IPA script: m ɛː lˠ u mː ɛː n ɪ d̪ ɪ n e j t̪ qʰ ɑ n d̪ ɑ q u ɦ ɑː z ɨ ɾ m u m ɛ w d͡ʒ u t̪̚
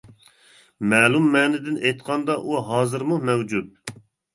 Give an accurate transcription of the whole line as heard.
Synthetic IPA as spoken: m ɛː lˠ u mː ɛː n ɪ d̪ ɪ n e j t̪ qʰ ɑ n d̪ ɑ ʔ u ɦ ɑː z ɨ ɾ m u m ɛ w d͡ʒ u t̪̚